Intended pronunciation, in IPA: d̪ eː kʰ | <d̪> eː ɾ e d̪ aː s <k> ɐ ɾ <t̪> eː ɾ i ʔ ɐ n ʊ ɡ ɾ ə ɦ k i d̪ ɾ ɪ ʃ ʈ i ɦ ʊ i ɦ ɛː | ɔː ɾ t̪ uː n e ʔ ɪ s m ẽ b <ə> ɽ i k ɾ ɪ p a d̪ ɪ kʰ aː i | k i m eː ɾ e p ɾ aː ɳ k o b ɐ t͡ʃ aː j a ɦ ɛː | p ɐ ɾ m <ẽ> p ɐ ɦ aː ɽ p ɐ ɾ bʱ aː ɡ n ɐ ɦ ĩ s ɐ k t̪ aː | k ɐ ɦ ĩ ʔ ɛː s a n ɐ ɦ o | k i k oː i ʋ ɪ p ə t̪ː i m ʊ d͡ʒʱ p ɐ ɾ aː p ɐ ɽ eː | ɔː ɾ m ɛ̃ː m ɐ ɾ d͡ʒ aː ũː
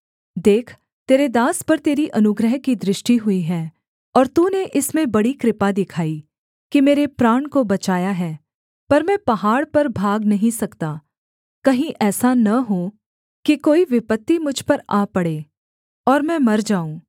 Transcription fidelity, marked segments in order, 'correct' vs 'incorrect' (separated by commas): incorrect, incorrect, correct, incorrect, incorrect